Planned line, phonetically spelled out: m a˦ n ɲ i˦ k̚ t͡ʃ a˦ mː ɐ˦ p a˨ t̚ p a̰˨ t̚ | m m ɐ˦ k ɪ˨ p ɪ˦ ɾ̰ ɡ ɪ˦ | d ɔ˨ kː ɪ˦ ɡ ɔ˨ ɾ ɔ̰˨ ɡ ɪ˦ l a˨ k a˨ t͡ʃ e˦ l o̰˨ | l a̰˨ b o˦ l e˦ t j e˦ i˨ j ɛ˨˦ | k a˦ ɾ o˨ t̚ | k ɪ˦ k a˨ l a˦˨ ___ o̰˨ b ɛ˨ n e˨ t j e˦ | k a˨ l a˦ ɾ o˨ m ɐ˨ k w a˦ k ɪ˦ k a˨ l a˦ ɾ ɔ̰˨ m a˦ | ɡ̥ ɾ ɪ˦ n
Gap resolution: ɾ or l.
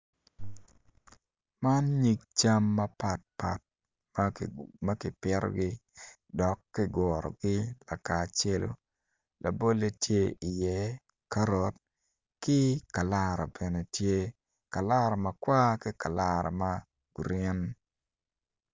ɾ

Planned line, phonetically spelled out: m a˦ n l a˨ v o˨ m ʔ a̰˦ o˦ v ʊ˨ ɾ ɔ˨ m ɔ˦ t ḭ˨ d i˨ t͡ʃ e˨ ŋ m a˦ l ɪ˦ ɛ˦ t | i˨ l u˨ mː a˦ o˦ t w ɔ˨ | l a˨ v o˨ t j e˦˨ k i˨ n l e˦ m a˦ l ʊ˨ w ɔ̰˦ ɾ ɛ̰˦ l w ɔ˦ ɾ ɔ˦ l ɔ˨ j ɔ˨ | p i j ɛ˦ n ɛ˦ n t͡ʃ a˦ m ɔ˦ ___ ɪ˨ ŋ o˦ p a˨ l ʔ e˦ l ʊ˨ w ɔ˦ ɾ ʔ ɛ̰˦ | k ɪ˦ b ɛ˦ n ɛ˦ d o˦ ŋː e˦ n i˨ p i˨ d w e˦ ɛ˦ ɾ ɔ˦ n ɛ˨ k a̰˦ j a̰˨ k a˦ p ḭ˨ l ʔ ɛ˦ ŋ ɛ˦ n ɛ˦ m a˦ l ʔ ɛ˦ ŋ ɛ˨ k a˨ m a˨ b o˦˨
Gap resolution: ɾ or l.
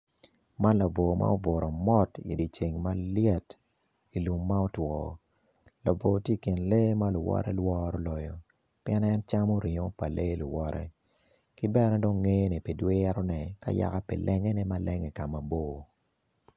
ɾ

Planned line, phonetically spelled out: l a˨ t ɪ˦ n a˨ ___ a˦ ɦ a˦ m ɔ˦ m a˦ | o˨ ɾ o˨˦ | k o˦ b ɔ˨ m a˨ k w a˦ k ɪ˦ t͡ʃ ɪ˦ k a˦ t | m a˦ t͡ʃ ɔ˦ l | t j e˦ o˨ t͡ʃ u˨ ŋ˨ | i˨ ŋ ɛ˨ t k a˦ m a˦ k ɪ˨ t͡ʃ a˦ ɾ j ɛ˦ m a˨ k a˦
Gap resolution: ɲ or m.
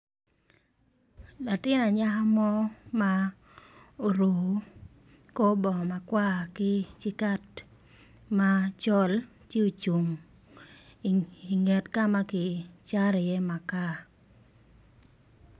ɲ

